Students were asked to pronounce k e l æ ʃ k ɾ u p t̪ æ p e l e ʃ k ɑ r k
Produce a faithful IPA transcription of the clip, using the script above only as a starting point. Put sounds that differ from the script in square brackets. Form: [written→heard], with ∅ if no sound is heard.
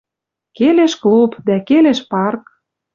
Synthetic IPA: k e l [æ→e] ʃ k [ɾ→l] u p [t̪→d̪] æ [p→k] e l e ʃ [k→p] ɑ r k